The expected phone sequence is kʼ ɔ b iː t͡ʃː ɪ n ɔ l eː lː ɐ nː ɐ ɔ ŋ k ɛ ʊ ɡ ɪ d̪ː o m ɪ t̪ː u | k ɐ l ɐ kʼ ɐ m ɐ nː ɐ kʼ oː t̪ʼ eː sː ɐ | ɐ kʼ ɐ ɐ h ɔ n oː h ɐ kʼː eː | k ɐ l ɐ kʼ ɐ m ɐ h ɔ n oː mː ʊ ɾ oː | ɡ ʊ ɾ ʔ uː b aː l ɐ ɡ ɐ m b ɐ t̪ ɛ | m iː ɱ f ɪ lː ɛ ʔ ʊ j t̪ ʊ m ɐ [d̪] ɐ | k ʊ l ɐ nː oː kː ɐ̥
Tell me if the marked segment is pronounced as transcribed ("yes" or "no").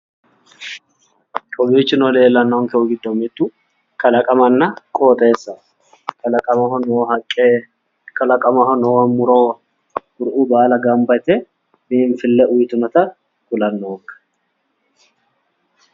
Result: no